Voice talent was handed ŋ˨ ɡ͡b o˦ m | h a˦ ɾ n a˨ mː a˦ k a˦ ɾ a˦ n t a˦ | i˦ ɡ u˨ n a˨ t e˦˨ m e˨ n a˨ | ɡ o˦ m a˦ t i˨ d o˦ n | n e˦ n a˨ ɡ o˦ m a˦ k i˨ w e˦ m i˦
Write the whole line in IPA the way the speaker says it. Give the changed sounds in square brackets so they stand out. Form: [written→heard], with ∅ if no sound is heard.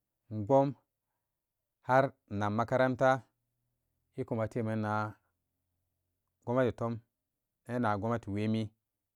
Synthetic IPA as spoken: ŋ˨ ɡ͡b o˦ m | h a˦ ɾ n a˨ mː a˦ k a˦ ɾ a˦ n t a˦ | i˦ [ɡ→k] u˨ [n→m] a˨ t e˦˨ m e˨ n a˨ | ɡ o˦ m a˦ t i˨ [d→t] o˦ [n→m] | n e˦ n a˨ ɡ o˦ m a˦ [k→t] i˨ w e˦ m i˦